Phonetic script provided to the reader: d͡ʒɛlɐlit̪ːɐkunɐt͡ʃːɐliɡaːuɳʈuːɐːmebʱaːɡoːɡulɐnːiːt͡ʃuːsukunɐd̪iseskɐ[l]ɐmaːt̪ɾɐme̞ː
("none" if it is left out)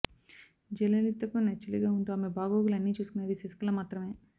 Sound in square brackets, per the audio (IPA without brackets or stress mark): l